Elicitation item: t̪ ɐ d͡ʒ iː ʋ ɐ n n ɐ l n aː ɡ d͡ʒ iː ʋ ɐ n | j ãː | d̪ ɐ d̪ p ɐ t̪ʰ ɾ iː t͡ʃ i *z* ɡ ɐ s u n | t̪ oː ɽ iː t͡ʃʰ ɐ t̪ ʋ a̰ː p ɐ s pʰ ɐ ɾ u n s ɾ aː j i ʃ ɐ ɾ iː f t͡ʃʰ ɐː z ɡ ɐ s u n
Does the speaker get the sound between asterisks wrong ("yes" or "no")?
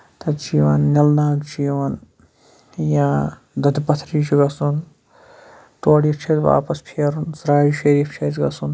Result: yes